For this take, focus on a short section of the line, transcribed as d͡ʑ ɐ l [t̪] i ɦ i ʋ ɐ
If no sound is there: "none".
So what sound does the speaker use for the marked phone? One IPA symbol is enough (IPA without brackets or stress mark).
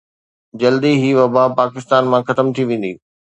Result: d̪